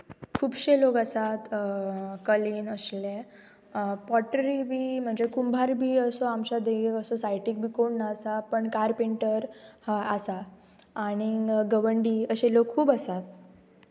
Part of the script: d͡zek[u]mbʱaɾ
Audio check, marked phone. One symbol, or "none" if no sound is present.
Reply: u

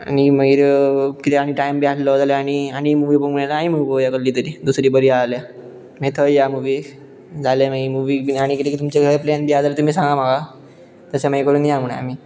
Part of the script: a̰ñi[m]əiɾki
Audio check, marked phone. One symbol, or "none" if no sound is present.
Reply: m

